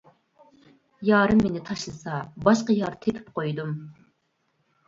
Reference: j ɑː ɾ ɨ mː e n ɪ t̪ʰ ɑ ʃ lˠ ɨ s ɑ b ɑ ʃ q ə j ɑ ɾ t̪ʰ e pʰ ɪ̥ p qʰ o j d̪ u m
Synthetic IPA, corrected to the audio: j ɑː ɾ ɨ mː e n ɪ t̪ʰ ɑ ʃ lˠ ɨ s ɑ b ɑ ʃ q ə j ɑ ɾ t̪ʰ e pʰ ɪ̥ p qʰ o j d̪ u m